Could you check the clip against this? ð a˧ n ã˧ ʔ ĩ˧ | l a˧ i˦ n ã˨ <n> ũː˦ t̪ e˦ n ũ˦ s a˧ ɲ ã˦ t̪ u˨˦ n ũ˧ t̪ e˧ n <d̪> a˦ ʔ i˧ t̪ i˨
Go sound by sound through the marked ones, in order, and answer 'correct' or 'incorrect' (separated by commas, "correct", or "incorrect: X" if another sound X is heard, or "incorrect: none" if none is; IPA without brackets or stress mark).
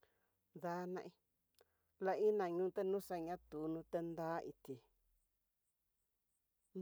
incorrect: ɲ, correct